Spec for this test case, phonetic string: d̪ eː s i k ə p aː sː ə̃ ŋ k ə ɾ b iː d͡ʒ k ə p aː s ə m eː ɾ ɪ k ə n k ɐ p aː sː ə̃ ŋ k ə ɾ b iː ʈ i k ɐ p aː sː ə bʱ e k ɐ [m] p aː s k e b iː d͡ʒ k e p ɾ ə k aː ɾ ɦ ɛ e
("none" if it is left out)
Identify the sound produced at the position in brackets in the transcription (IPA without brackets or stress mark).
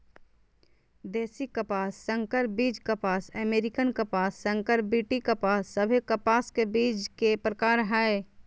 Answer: none